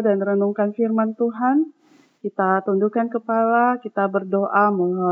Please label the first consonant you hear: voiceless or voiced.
voiced